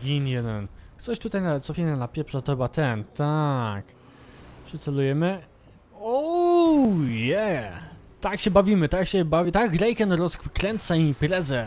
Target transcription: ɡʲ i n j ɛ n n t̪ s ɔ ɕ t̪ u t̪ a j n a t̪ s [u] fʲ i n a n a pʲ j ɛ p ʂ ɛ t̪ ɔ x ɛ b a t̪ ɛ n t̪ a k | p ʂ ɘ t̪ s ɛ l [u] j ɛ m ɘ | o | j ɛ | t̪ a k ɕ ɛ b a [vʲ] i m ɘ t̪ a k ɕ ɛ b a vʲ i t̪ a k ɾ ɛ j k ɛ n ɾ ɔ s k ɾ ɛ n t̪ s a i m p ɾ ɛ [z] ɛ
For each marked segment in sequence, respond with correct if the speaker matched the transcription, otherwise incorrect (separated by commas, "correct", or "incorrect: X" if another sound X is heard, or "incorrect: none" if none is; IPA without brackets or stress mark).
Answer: incorrect: ɔ, correct, correct, correct